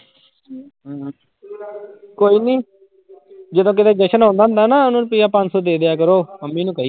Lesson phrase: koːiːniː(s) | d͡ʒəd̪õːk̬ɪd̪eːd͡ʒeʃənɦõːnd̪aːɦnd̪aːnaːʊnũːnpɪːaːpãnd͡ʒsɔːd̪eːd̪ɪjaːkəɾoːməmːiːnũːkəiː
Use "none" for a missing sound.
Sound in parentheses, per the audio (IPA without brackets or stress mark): none